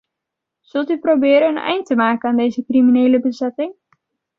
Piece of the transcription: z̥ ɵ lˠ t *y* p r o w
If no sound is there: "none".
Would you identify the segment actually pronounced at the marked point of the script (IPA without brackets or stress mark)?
y